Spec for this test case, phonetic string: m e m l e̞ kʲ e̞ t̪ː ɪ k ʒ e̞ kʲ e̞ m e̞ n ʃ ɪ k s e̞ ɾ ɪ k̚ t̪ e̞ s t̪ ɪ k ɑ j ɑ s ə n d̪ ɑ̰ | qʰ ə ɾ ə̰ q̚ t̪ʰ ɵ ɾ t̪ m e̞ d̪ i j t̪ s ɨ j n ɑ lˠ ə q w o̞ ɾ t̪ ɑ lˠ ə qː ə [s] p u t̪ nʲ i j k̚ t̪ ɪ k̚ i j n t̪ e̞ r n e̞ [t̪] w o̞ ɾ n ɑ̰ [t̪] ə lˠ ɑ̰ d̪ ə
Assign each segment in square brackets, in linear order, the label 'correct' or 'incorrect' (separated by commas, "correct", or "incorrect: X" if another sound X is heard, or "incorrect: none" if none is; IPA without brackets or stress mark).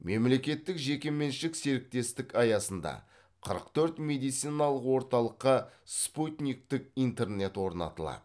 correct, correct, correct